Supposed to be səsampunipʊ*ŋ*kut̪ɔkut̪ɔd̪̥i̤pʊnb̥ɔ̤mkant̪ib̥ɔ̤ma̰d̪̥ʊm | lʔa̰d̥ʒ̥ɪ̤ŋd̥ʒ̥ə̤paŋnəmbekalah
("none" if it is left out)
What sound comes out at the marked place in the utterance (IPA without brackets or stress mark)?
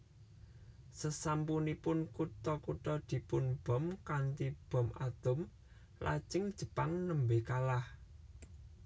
n